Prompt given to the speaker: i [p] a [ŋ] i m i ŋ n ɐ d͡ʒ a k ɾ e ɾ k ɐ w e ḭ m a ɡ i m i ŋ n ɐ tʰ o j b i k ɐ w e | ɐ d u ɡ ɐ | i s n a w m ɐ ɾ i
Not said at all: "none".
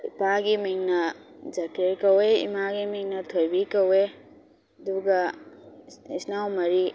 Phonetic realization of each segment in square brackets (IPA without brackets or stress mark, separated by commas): p, ɡ